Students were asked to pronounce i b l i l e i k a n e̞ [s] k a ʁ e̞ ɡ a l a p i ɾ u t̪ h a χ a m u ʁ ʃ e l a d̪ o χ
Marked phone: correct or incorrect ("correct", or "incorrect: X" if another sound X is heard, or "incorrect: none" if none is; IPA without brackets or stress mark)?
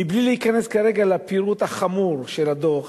correct